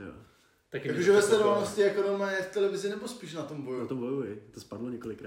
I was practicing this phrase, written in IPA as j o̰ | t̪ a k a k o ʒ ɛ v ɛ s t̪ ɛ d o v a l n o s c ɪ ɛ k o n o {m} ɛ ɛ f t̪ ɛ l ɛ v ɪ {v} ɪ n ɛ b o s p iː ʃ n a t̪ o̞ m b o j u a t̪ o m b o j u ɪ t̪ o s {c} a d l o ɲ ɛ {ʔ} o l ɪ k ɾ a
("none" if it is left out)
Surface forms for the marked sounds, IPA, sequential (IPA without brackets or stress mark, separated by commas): m, z, p, k